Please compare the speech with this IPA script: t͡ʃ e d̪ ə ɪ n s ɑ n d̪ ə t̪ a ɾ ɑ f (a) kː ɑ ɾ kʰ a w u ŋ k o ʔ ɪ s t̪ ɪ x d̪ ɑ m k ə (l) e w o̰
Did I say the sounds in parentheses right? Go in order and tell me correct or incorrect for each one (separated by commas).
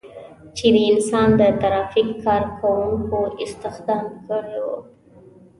incorrect, incorrect